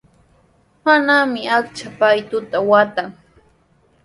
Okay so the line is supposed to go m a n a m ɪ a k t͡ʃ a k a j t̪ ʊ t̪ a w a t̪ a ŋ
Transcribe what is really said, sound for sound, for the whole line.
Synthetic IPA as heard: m a n a m ɪ a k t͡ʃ a p a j t̪ ʊ t̪ a w a t̪ a ŋ